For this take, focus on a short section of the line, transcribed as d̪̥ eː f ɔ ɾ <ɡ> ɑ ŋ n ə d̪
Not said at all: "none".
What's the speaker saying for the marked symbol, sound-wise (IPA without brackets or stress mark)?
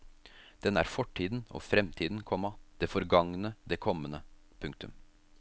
ɡ